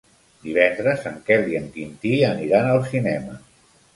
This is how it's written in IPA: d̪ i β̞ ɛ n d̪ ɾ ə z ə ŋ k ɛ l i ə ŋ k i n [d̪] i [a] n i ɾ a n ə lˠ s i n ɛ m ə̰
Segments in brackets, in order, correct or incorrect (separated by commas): incorrect, incorrect